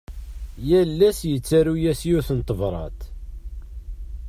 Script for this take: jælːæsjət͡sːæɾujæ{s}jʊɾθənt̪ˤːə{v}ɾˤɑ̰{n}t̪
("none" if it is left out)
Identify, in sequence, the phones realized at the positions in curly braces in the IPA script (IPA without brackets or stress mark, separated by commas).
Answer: s, v, none